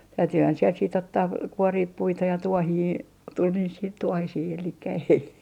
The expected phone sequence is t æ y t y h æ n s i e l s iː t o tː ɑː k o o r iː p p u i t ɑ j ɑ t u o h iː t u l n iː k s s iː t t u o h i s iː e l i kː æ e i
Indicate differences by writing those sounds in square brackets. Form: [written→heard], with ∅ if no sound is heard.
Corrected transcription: t æ y t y h æ n s i e l s iː t o tː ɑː k [o→u] o r iː p p u i t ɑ j ɑ t u o h iː t u l n iː [k→∅] s s iː t t u o h i s iː e l i kː æ e i